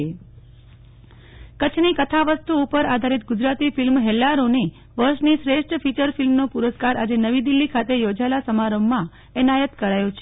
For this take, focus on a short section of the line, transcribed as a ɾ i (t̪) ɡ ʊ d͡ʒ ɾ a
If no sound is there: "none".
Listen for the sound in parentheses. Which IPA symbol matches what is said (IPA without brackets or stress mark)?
t̪